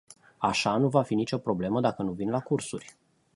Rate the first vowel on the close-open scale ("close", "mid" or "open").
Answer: open